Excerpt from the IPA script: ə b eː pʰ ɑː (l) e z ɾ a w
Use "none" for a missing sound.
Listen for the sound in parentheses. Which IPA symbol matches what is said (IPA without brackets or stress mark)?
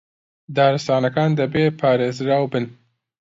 ɾ